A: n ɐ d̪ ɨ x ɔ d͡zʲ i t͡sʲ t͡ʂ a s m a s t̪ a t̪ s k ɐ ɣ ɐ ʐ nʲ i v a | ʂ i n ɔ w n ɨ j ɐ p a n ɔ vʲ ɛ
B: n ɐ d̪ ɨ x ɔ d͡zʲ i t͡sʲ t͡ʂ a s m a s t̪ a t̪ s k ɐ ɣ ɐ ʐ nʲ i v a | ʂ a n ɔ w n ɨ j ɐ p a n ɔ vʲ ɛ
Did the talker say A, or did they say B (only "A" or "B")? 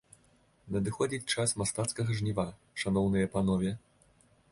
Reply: B